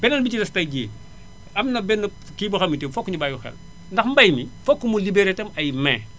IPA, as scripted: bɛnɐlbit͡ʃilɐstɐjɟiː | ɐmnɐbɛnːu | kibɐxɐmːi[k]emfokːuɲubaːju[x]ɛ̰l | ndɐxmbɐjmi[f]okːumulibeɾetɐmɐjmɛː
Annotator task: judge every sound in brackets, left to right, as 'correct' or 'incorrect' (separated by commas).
incorrect, correct, correct